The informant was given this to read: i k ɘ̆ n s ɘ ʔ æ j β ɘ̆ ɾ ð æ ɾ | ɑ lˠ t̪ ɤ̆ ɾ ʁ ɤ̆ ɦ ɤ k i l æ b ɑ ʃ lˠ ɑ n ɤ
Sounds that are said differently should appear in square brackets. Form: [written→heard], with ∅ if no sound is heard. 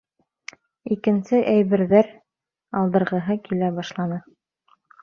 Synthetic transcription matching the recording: i k ɘ̆ n s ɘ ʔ æ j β ɘ̆ ɾ ð æ ɾ | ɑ lˠ [t̪→d̪] ɤ̆ ɾ ʁ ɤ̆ ɦ ɤ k i l æ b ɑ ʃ lˠ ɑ n ɤ